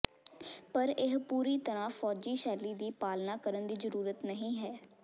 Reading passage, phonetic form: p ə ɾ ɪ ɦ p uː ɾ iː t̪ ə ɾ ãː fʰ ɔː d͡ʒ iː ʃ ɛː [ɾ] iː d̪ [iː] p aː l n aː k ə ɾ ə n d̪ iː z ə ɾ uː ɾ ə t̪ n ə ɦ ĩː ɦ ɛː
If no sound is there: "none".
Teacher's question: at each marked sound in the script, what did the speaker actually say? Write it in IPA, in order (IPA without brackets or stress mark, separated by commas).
l, iː